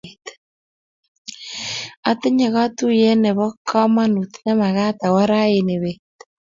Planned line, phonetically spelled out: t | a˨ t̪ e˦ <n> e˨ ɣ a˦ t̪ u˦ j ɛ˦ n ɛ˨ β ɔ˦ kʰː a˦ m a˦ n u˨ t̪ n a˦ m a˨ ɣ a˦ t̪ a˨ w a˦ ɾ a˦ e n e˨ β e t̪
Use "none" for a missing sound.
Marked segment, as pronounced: ɲ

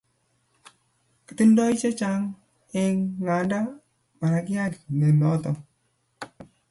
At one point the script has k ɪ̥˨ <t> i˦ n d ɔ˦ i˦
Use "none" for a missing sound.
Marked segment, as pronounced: t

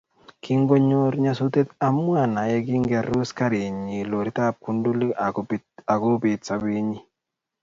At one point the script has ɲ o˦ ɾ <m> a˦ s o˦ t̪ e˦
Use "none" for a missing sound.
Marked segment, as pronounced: ɲ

